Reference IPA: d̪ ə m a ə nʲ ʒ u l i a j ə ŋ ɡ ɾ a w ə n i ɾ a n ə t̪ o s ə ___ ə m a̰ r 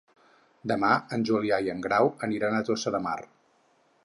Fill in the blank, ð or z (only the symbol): ð